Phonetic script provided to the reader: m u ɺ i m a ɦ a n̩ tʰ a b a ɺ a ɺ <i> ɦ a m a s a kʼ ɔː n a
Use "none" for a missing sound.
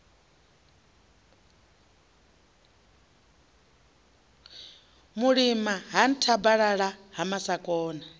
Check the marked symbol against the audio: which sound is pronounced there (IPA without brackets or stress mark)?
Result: a